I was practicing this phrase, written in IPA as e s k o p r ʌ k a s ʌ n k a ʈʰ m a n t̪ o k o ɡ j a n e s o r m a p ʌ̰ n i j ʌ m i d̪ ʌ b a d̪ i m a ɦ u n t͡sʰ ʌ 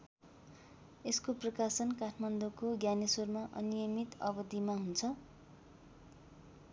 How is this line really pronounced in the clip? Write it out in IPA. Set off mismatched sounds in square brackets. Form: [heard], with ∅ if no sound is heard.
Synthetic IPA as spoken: e s k o p r ʌ k a s ʌ n k a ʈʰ m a n [d̪] o k o ɡ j a n e s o r m a [ʔ] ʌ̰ n i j ʌ m i [t̪] ʌ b [ʌ] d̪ i m a ɦ u n t͡sʰ ʌ